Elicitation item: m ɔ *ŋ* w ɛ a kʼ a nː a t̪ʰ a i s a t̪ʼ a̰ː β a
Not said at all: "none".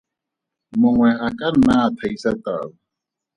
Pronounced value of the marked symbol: ŋ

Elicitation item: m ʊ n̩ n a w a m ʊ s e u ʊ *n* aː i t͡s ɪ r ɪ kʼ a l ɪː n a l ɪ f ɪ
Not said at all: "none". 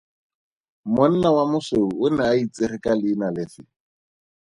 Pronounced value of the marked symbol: n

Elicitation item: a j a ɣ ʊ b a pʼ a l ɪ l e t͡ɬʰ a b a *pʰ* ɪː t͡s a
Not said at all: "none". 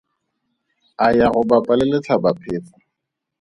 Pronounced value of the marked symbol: pʰ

